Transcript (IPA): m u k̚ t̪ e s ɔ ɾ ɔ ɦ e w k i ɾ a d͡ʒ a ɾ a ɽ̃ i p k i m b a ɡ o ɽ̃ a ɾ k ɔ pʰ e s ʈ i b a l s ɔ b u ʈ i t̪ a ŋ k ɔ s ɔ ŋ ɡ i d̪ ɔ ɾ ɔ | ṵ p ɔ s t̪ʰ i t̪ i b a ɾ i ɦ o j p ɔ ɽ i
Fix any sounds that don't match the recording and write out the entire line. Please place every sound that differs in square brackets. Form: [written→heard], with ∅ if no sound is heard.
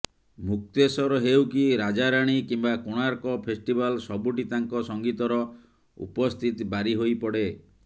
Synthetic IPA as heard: m u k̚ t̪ e s ɔ ɾ ɔ ɦ e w k i ɾ a d͡ʒ a ɾ a ɽ̃ i [p→∅] k i m b a [ɡ→k] o ɽ̃ a ɾ k ɔ pʰ e s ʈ i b a l s ɔ b u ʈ i t̪ a ŋ k ɔ s ɔ ŋ ɡ i [d̪→t̪] ɔ ɾ ɔ | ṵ p ɔ s t̪ʰ i t̪ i b a ɾ i ɦ o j p ɔ ɽ [i→e]